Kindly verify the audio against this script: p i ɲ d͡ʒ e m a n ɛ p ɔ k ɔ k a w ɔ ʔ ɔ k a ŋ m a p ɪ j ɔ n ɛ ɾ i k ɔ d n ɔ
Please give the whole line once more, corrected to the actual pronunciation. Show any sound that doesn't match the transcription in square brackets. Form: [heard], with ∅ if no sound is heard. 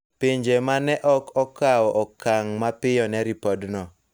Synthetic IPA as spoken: p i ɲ d͡ʒ e m a n ɛ [ʔ] ɔ k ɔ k a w ɔ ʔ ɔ k a ŋ m a p ɪ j ɔ n ɛ ɾ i [p] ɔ d n ɔ